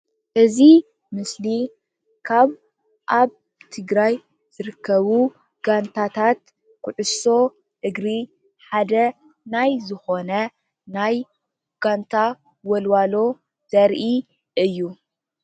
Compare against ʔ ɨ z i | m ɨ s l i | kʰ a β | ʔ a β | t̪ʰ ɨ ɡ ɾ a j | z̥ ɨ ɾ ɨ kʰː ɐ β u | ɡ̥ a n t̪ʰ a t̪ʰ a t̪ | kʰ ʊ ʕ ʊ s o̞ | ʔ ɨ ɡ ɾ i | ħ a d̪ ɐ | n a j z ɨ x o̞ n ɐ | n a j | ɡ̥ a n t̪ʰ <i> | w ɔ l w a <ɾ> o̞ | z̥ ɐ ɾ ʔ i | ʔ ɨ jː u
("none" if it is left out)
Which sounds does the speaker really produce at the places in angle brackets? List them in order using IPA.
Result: a, l

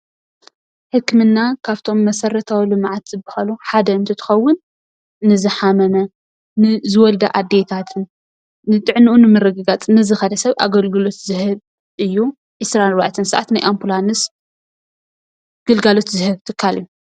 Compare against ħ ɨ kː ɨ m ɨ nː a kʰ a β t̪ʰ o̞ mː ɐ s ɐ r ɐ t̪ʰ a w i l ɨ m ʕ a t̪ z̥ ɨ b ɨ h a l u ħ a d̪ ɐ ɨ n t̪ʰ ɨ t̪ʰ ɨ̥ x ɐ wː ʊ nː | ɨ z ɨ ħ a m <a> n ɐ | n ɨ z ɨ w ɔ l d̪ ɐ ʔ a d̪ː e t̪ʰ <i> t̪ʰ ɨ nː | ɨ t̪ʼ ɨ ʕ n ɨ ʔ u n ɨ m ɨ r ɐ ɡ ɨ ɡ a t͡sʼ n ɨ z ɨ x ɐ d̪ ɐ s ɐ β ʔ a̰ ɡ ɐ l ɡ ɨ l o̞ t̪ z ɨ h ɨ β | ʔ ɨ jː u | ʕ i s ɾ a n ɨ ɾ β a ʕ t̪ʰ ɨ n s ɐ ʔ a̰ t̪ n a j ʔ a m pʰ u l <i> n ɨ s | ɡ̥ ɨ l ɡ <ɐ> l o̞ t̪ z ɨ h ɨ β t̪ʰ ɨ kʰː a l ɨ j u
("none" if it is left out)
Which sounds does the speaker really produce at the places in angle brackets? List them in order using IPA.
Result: ɐ, a, a, a

